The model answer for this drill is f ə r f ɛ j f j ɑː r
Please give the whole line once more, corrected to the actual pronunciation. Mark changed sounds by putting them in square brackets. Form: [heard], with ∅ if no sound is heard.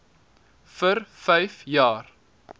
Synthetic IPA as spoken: f ə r f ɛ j f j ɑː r